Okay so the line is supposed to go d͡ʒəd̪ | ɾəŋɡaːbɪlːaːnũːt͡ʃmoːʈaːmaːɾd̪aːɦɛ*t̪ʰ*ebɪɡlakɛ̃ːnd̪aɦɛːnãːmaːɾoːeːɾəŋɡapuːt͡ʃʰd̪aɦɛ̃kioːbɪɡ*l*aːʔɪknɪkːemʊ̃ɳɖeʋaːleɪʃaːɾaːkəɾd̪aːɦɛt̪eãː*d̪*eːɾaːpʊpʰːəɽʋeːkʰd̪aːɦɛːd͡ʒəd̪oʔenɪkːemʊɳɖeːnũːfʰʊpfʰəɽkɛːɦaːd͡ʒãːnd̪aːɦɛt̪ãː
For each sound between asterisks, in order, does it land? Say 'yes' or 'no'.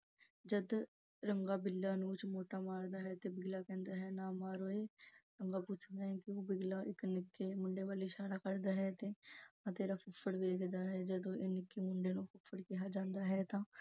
no, yes, no

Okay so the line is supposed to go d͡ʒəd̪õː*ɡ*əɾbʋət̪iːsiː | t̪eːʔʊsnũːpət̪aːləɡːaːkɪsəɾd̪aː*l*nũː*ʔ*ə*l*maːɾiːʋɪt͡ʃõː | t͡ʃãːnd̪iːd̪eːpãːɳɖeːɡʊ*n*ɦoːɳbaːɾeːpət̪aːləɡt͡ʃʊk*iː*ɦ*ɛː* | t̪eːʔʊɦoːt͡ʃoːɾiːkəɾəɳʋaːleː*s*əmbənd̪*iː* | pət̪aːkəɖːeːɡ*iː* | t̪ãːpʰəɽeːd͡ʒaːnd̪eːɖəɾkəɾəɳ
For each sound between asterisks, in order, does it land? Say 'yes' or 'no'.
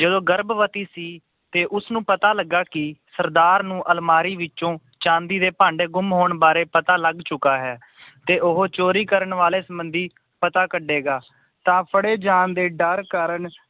yes, no, yes, yes, no, no, yes, yes, yes, no

